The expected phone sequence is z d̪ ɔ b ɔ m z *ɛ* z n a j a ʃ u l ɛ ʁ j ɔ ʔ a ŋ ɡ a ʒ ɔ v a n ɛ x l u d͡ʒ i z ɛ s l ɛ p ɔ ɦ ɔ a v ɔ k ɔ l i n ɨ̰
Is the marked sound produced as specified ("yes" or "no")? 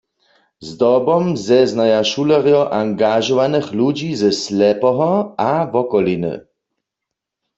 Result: yes